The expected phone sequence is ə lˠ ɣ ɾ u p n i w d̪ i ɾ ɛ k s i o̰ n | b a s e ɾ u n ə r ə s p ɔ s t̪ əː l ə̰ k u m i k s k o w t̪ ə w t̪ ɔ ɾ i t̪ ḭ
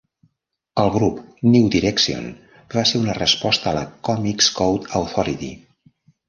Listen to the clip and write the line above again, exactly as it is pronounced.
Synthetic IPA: ə lˠ ɣ ɾ u p n i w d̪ i ɾ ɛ k s i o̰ n | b a s e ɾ u n ə r ə s p ɔ s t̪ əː l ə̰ k ɔ m i k s k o w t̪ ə w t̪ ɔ ɾ i t̪ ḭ